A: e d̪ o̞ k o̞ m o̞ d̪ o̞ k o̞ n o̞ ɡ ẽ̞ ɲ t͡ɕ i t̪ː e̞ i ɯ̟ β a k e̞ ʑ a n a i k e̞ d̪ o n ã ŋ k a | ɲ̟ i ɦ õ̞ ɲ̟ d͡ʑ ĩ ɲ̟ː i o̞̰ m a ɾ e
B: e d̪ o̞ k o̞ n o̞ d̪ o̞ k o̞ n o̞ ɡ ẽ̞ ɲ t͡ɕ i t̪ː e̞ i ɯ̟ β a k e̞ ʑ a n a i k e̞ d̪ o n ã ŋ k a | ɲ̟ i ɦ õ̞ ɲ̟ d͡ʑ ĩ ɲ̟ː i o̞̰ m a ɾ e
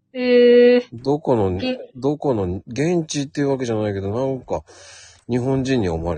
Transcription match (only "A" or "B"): B